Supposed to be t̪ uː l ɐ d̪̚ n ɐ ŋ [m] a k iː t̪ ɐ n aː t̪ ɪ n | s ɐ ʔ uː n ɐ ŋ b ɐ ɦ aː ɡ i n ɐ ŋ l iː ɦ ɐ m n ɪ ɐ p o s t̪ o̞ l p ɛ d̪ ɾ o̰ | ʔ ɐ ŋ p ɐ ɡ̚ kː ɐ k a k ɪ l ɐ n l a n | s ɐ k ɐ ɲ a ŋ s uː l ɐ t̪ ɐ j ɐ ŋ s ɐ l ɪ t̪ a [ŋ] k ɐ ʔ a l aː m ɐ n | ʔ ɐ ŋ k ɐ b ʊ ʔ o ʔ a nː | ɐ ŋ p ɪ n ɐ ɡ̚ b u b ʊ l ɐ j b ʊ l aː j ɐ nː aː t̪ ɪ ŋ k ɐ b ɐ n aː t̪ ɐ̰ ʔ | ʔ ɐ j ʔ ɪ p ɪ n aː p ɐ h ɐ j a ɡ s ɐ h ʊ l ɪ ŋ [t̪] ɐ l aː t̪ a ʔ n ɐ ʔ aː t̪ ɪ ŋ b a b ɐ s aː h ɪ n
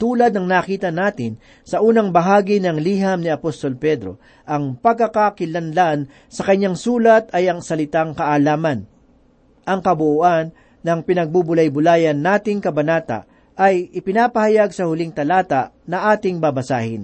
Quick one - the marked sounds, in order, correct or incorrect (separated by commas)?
incorrect, correct, correct